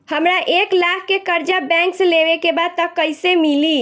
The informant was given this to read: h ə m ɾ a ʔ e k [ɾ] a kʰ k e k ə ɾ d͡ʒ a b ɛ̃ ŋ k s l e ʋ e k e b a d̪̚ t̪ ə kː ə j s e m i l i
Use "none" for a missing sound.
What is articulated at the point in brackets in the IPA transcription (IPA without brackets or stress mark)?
l